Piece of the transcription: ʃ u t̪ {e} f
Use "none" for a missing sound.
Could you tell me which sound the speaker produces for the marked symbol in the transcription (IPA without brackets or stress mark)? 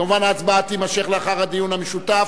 a